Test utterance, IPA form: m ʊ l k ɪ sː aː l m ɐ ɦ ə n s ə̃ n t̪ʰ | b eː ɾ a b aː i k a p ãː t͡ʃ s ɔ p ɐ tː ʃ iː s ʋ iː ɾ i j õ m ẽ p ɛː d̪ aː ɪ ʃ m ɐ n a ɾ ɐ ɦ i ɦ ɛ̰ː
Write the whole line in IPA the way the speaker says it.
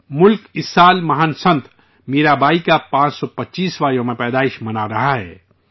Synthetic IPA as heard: m ʊ l k ɪ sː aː l m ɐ ɦ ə n s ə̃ n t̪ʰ | m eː ɾ a b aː i k a p ãː t͡ʃ s ɔ p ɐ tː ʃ iː s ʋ aː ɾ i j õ m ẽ p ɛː d̪ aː ɪ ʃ m ɐ n a ɾ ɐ ɦ a ɦ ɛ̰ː